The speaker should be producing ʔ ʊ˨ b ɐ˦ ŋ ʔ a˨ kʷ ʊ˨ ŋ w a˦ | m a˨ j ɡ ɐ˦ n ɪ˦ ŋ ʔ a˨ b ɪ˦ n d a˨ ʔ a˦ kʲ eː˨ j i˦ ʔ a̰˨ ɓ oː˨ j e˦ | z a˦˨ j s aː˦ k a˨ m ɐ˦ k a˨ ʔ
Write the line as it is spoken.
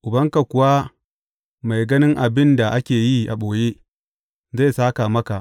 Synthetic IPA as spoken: ʔ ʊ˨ b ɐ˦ ŋ k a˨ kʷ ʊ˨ w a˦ | m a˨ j ɡ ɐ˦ n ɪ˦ ŋ ʔ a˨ b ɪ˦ n d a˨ ʔ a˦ kʲ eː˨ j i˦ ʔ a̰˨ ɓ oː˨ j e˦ | z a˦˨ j s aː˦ k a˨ m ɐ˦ k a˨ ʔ